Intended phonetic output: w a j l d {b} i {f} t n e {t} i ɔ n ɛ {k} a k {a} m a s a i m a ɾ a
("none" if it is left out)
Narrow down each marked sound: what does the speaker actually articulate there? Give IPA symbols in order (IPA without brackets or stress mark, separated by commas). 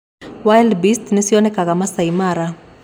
b, s, s, k, a